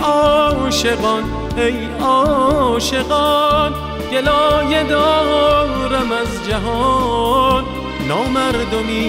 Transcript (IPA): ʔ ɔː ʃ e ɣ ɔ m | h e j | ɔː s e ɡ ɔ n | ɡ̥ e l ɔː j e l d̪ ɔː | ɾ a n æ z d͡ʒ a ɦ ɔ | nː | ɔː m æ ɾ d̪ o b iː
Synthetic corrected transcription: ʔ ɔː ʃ e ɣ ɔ n | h e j | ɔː ʃ e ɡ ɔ n | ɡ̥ e l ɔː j e d̪ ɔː | ɾ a m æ z d͡ʒ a ɦ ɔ | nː | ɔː m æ ɾ d̪ o m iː